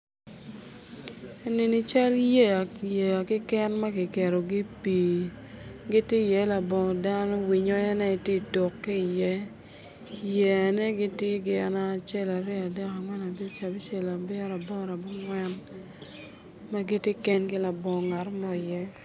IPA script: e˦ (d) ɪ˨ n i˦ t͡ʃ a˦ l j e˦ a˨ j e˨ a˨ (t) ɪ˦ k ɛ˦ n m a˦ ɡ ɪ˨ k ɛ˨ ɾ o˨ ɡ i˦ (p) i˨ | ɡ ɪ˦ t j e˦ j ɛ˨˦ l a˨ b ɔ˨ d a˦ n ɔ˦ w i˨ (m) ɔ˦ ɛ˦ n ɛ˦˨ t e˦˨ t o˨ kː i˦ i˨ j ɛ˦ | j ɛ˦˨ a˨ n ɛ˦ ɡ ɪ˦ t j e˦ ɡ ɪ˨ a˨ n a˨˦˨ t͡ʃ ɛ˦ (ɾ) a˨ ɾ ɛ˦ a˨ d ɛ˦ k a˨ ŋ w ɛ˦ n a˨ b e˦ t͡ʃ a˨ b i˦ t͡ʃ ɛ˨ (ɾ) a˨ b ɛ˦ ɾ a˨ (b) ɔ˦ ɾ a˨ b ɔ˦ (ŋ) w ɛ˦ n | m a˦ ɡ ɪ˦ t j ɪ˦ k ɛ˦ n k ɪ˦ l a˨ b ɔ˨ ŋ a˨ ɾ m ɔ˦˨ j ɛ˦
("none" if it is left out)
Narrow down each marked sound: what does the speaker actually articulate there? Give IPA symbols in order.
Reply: n, k, p, ɲ, l, l, b, ŋ

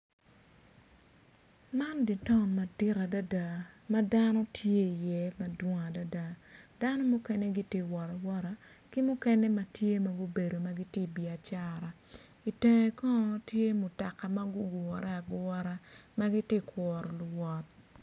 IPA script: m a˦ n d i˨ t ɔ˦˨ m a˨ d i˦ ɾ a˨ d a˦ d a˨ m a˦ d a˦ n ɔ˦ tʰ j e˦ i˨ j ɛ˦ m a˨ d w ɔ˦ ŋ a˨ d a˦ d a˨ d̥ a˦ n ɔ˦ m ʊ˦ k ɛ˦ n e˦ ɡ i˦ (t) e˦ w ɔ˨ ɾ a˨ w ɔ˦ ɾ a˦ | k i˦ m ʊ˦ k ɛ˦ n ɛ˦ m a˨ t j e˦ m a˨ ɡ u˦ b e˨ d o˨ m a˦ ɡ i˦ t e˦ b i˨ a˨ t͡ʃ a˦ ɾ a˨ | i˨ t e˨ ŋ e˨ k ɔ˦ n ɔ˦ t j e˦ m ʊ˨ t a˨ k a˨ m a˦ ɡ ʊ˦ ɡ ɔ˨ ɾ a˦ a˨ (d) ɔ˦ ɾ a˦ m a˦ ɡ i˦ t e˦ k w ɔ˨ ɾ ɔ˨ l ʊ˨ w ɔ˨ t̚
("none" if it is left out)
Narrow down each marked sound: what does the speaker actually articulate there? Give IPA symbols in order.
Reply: t, ɡ

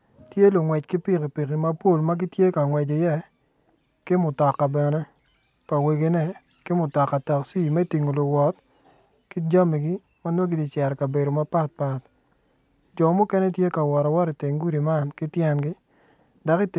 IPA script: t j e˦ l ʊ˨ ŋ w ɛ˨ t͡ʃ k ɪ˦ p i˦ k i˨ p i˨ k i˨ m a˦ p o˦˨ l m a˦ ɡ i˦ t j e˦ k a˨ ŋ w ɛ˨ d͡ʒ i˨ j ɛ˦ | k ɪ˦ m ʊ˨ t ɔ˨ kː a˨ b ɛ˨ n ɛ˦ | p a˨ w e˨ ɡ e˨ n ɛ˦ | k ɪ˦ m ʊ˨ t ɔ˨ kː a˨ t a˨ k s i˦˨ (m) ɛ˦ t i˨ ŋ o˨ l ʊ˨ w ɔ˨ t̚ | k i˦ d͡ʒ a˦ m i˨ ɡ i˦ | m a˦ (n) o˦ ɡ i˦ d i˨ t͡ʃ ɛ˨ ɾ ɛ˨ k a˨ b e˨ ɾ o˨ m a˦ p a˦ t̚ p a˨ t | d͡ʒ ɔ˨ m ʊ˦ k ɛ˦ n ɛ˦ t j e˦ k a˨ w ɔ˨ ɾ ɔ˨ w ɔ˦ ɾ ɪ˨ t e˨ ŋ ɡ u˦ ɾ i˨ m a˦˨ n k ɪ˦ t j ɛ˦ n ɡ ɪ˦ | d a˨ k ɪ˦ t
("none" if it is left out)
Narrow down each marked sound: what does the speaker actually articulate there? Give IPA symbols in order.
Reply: m, n

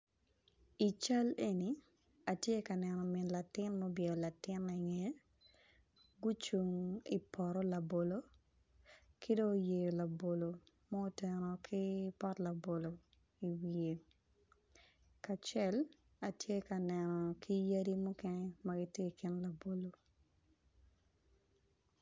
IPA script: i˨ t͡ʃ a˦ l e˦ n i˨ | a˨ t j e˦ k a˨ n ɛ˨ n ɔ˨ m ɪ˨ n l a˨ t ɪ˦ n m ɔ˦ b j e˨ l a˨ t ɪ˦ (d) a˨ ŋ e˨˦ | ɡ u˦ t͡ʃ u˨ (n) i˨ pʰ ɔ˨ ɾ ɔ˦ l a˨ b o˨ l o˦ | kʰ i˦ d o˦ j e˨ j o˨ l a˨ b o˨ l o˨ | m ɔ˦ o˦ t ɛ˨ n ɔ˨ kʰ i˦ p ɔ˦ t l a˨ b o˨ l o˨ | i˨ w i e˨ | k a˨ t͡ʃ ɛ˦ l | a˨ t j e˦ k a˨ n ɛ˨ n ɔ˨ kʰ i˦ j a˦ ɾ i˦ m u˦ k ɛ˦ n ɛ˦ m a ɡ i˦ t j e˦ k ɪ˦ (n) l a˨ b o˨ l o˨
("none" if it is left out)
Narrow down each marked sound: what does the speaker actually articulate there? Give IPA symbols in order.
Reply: n, ŋ, n

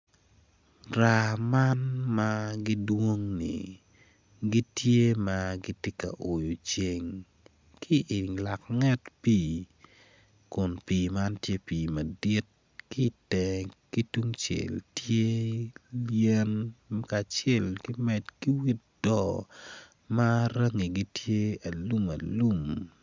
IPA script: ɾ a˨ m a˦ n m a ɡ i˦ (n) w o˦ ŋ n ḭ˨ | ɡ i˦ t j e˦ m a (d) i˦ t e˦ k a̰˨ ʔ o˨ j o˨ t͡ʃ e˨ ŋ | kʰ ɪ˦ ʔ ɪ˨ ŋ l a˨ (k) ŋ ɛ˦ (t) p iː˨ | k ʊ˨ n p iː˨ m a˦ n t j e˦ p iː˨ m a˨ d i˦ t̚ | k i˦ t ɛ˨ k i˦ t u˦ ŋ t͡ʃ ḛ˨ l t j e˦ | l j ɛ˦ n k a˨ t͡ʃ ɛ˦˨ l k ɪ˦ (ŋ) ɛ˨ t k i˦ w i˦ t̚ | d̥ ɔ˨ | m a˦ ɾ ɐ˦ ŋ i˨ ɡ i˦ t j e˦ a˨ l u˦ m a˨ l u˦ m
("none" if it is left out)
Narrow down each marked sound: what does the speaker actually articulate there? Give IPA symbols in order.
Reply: d, ɡ, k, t, m

